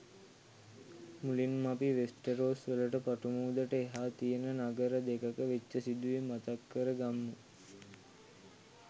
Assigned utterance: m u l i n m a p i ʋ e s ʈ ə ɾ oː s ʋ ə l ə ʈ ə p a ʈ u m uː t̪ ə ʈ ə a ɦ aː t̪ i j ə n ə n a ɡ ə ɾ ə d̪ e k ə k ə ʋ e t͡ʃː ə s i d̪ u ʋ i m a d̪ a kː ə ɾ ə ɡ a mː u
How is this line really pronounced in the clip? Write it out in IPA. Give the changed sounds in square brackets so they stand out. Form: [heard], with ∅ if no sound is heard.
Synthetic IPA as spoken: m u l i n m a p i ʋ e s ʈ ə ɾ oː s ʋ ə l ə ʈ ə p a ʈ u m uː [d̪] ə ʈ ə [e] ɦ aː t̪ i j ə n ə n a ɡ ə ɾ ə d̪ e k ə k ə ʋ e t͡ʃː ə s i d̪ u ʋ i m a [t̪] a kː ə ɾ ə ɡ a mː u